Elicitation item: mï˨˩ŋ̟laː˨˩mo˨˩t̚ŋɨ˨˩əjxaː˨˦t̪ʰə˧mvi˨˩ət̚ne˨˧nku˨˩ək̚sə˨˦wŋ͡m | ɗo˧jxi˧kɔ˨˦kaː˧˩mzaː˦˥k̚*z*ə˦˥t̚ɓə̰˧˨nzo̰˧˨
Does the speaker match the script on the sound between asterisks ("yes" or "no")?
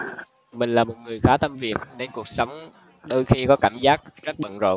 yes